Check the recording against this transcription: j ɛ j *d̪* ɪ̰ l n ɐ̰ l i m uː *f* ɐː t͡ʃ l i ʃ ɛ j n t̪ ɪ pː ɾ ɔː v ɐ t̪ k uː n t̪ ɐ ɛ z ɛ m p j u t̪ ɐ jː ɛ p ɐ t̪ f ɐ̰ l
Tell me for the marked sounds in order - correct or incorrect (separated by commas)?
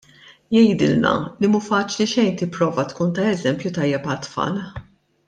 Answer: correct, correct